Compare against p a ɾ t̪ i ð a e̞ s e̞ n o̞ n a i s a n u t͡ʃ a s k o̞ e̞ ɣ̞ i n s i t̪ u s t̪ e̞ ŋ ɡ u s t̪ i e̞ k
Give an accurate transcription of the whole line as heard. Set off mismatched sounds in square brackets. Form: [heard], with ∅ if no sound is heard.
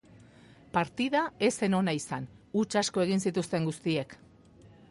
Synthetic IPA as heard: p a ɾ t̪ i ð a e̞ s e̞ n o̞ n a i s a n u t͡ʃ a s k o̞ e̞ ɣ̞ i n s i t̪ u s t̪ e̞ ŋ ɡ u s t̪ i e̞ k